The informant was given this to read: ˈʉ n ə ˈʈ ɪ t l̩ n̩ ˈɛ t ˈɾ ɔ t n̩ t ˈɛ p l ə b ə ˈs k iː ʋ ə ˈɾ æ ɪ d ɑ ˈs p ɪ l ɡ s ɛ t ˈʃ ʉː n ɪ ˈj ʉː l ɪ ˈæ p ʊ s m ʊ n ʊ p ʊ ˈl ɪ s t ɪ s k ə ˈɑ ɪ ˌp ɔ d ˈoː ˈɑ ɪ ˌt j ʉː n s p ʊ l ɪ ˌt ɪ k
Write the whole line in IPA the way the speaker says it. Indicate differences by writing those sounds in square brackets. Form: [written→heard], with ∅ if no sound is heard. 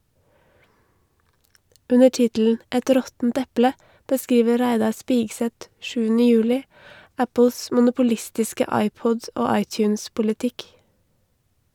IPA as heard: ˈʉ n ə ˈʈ ɪ t l̩ n̩ ˈɛ t ˈɾ ɔ t n̩ t ˈɛ p l ə b ə ˈs k iː ʋ ə ˈɾ æ ɪ d ɑ ˈs p ɪ [l→∅] ɡ s ɛ t ˈʃ ʉː n ɪ ˈj ʉː l ɪ ˈæ p ʊ s m ʊ n ʊ p ʊ ˈl ɪ s t ɪ s k ə ˈɑ ɪ ˌp ɔ d ˈoː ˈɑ ɪ ˌt j ʉː n s p ʊ l ɪ ˌt ɪ k